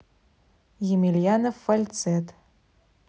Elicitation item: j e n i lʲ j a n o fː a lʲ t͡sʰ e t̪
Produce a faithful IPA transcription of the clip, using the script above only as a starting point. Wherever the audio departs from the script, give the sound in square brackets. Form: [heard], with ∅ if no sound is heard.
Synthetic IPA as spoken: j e [m] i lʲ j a n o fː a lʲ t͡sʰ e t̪